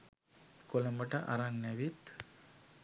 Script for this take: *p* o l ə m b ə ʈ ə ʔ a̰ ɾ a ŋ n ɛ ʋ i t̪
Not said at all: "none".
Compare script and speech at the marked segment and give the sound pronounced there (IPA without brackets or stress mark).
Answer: k